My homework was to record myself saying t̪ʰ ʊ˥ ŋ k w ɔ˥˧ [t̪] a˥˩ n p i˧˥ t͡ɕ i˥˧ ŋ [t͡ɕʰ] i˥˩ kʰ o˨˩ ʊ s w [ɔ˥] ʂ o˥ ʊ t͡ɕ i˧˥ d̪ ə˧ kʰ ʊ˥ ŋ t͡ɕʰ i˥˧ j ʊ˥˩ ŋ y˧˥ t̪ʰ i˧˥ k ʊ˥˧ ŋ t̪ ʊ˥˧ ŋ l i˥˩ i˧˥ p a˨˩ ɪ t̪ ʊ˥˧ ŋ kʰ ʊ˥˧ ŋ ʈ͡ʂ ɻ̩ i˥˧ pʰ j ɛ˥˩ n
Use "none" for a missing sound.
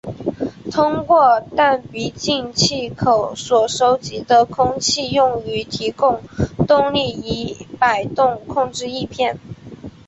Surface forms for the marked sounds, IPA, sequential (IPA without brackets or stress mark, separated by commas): t̪, t͡ɕʰ, ɔ˨˩